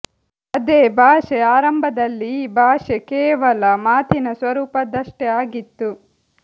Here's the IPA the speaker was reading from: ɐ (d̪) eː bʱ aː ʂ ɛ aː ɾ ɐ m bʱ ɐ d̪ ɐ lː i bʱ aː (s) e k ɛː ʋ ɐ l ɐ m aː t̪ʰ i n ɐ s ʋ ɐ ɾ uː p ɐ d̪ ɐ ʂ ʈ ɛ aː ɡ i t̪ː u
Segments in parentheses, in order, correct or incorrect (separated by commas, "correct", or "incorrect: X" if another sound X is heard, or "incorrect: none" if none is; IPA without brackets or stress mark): correct, incorrect: ʂ